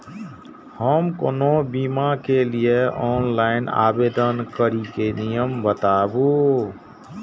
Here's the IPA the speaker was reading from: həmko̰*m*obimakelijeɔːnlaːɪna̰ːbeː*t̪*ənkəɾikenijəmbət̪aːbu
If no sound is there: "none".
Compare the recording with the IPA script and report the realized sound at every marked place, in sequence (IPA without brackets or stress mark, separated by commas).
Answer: n, d̪